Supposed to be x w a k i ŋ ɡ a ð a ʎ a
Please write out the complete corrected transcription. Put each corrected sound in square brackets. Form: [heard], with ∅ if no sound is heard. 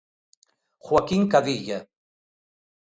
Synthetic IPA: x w a k i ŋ [k] a ð [i] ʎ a